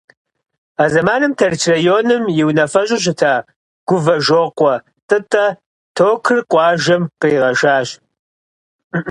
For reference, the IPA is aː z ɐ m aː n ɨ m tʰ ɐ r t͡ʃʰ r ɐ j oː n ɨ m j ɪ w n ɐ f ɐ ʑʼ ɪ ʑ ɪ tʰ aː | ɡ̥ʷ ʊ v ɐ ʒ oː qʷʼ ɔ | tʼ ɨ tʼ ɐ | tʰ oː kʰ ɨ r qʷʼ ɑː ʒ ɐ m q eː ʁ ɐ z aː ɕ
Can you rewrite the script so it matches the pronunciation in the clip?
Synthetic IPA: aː z ɐ m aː n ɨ m tʰ ɐ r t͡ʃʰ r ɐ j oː n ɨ m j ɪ w n ɐ f ɐ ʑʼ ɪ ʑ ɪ tʰ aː | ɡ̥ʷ ʊ v ɐ ʒ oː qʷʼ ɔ | tʼ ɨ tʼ ɐ | tʰ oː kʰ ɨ r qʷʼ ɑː ʒ ɐ m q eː ʁ ɐ ʒ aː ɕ